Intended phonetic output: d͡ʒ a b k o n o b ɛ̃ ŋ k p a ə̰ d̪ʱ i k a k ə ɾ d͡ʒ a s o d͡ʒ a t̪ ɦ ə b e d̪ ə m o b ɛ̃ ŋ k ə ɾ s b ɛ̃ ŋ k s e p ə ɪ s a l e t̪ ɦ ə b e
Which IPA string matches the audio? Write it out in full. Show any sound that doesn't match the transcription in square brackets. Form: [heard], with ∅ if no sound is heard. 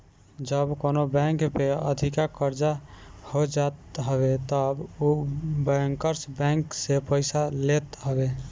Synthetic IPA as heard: d͡ʒ [ə] b k o n o b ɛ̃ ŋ k p [e] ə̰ d̪ʱ i k a k ə ɾ d͡ʒ a [h] o d͡ʒ a t̪ ɦ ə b e [t̪] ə [b] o b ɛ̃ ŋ k ə ɾ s b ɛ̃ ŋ k s e p ə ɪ s a l e t̪ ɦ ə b e

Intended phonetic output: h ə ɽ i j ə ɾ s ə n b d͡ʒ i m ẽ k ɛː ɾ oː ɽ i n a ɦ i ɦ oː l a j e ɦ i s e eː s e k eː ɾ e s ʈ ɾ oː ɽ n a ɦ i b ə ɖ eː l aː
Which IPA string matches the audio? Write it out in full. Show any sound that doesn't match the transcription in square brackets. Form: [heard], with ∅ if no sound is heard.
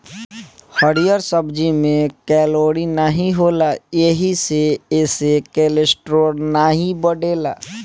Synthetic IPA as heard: h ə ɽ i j ə ɾ s ə [∅] b d͡ʒ i m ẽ k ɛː [l] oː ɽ i n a ɦ i ɦ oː l a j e ɦ i s e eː s e k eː [l] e s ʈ ɾ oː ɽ n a ɦ i b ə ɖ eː l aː

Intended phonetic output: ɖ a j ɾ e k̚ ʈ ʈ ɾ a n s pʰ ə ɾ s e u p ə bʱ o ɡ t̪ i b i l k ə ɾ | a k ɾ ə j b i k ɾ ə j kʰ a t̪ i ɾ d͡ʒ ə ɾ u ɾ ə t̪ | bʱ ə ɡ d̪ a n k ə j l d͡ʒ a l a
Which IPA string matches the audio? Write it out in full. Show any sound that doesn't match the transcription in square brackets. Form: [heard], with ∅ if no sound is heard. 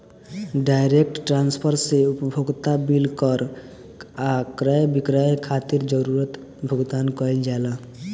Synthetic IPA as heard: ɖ a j ɾ e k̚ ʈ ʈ ɾ a n s pʰ ə ɾ s e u p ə bʱ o ɡ t̪ [a] b i l k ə ɾ | a k ɾ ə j b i k ɾ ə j kʰ a t̪ i ɾ d͡ʒ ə ɾ u ɾ ə t̪ | bʱ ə ɡ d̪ a n k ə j l d͡ʒ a l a

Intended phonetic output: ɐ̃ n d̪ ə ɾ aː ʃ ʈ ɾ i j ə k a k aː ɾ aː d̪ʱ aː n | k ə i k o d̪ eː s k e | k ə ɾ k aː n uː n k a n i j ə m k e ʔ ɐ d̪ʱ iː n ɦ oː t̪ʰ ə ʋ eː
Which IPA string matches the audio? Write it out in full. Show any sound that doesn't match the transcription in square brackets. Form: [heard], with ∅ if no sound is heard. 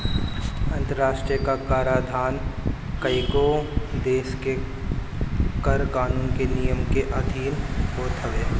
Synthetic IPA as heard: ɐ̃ n [t̪] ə ɾ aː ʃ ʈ ɾ i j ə k a k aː ɾ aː d̪ʱ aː n | k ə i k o d̪ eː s k e | k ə ɾ k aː n uː n k [e] n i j ə m k e ʔ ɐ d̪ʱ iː n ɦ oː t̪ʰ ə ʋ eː

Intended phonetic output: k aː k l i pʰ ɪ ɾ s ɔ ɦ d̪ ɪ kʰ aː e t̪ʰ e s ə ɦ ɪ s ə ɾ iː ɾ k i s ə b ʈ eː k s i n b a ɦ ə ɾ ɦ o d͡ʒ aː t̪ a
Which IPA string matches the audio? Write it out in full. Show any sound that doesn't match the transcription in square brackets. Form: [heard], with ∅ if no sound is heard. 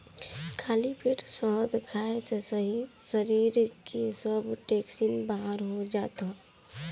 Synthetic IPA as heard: [kʰ] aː [∅] l i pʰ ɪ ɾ s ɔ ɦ d̪ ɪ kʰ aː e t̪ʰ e s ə ɦ [i] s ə ɾ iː ɾ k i s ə b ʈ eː k s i n b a ɦ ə ɾ ɦ o d͡ʒ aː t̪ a

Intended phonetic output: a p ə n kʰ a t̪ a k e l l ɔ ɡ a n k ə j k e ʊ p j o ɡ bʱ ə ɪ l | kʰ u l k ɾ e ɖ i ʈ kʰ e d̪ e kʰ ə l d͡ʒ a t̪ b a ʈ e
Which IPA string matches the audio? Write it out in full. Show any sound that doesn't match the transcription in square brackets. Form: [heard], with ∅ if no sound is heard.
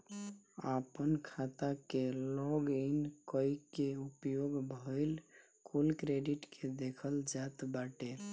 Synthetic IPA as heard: a p ə n kʰ a t̪ a k e l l ɔ ɡ [i] n k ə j k e [u] p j o ɡ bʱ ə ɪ l | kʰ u l k ɾ e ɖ i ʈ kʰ e d̪ e kʰ ə l d͡ʒ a t̪ b a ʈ e

